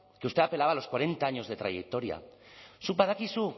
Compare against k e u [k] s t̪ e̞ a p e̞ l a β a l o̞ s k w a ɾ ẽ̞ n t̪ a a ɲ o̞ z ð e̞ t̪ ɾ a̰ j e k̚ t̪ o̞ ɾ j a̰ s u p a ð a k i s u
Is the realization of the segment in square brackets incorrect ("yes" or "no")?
yes